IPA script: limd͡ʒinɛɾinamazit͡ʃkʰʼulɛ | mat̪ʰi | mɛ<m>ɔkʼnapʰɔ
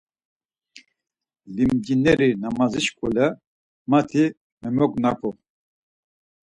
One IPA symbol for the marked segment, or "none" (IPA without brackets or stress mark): m